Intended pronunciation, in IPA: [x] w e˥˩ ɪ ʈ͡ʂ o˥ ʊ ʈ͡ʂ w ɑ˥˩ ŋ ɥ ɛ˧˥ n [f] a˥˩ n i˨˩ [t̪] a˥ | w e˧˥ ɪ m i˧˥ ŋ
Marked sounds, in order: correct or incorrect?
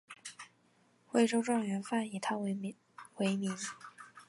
correct, correct, incorrect

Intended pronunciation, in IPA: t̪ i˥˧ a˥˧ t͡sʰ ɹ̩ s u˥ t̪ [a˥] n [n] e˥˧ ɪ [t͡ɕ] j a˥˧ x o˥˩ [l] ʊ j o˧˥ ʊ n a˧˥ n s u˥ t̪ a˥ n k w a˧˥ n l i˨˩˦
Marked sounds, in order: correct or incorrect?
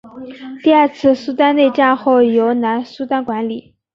correct, correct, correct, incorrect

